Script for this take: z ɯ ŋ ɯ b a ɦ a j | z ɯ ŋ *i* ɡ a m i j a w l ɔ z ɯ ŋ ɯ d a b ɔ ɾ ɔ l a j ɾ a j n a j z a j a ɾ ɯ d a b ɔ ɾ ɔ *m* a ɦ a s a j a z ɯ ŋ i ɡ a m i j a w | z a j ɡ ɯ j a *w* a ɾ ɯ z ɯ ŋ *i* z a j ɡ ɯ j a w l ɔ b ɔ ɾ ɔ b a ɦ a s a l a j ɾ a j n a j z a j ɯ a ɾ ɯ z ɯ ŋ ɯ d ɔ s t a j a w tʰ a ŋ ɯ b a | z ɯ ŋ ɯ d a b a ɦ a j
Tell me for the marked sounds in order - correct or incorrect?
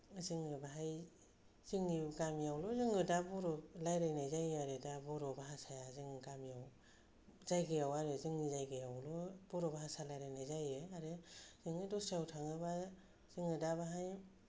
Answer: correct, incorrect: b, correct, correct

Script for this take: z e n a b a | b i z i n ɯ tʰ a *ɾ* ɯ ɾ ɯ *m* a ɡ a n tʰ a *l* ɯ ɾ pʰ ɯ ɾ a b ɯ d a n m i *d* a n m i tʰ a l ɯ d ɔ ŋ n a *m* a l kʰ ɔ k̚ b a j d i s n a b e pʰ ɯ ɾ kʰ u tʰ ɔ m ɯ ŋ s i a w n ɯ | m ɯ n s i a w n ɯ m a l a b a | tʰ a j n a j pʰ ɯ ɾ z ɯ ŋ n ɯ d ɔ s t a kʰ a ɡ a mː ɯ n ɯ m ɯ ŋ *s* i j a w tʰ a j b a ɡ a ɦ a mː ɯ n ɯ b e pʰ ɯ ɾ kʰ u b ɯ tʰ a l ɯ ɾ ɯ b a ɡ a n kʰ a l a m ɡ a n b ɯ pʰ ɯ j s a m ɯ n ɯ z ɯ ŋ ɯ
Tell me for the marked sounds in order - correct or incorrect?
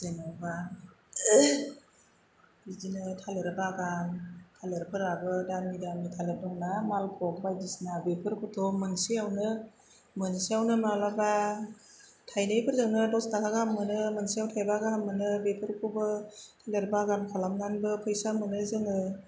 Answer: incorrect: l, incorrect: b, correct, correct, correct, correct

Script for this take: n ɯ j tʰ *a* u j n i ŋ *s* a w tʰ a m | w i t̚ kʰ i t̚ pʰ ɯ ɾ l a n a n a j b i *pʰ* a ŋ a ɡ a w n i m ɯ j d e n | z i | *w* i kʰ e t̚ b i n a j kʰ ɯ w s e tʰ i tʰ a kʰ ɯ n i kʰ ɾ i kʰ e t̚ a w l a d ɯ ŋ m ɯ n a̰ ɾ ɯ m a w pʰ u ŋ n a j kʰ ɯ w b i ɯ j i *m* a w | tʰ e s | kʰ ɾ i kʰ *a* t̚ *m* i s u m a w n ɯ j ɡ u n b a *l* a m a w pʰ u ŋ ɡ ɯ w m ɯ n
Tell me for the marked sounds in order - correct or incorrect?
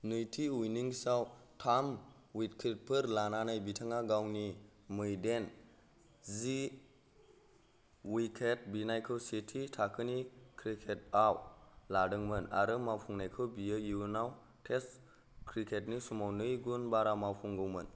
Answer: incorrect: i, correct, incorrect: tʰ, correct, incorrect: n, incorrect: e, incorrect: n, incorrect: ɾ

